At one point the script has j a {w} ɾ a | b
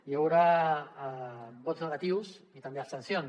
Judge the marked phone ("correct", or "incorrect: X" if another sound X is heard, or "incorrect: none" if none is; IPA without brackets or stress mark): correct